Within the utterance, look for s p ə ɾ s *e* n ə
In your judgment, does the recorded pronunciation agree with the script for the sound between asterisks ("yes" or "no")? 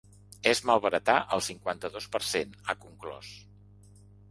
yes